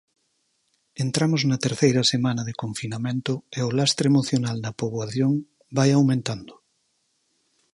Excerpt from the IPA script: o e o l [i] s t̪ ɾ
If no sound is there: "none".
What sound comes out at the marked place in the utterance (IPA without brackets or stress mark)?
a